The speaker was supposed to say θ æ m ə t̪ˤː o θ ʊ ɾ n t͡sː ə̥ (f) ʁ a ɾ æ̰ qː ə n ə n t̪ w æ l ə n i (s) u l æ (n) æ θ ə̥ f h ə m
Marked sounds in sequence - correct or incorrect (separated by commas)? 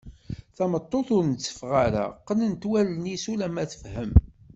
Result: correct, correct, incorrect